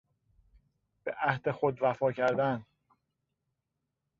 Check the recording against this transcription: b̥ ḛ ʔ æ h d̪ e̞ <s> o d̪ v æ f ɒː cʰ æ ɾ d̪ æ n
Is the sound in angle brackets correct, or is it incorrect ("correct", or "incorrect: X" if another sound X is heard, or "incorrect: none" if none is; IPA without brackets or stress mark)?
incorrect: x